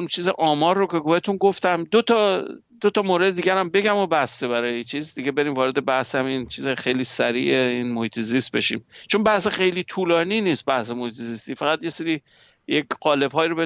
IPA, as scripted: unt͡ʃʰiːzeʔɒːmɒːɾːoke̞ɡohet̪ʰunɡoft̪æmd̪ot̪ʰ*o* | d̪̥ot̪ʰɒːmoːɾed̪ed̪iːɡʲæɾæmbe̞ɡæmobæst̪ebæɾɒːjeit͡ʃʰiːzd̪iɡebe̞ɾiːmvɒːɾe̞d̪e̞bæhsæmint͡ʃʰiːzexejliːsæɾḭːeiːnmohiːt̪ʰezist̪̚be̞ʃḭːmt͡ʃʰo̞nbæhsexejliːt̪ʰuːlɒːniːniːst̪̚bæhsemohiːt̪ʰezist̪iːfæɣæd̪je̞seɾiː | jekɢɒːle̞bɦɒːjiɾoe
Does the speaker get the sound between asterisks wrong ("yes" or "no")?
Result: yes